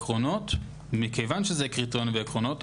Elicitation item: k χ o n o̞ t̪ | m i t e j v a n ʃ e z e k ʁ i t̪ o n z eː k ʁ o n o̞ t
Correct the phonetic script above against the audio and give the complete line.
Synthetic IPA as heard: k ʁ o n o̞ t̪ | m i k e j v a n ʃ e z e k ʁ i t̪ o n v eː k ʁ o n o̞ t